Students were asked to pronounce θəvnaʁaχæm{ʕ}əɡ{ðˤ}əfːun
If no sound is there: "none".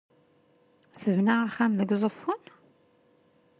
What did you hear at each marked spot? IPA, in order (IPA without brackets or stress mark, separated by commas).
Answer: ð, zˤ